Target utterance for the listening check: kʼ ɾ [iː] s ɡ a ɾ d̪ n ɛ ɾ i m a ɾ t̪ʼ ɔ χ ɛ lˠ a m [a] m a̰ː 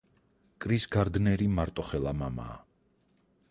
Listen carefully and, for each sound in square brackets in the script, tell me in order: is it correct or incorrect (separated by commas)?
incorrect, correct